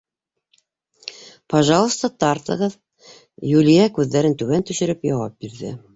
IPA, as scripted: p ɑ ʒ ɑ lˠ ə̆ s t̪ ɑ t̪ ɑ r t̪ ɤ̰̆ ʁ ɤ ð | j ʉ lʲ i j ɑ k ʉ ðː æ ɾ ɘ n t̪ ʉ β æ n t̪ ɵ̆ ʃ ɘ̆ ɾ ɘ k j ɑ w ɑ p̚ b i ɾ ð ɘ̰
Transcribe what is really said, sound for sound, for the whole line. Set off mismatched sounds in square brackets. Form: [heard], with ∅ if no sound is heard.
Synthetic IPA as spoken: p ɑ ʒ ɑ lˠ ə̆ s t̪ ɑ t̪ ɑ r t̪ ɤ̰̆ ʁ ɤ ð | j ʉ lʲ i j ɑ k ʉ ðː æ ɾ ɘ n t̪ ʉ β æ n t̪ ɵ̆ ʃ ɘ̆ ɾ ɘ [p] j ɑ w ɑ p̚ b i ɾ ð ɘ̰